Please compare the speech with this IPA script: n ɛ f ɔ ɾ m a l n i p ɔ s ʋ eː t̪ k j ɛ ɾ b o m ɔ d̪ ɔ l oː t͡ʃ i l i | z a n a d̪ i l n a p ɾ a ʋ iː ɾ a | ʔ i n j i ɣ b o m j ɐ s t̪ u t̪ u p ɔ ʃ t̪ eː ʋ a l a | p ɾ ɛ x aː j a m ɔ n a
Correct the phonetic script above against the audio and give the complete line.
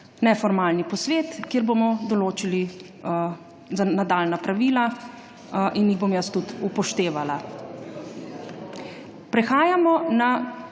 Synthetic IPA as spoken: n ɛ f ɔ ɾ m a l n i p ɔ s ʋ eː t̪ k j e ɾ b o m ɔ d̪ ɔ l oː t͡ʃ i l i | z a n a d̪ a l n a p ɾ a ʋ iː l a | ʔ i n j i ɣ b o m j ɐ s t̪ u t̪ u p ɔ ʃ t̪ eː ʋ a l a | p ɾ ɛ x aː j a m ɔ n a